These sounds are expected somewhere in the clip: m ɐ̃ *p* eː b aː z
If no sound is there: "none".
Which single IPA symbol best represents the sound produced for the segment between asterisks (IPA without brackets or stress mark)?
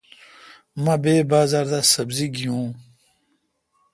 b